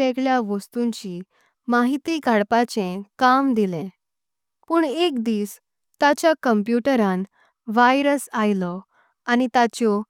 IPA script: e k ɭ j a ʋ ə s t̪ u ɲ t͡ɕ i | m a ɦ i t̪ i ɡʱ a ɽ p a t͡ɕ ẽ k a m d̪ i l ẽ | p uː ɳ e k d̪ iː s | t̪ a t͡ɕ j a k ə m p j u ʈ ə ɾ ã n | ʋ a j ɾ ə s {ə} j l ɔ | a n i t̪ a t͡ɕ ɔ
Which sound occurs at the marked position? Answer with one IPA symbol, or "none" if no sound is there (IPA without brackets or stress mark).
a